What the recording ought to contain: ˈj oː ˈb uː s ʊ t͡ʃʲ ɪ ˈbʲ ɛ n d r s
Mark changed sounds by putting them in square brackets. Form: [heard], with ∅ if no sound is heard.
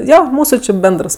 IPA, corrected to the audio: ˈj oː [ˈm] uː s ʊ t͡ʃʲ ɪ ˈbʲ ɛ n d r s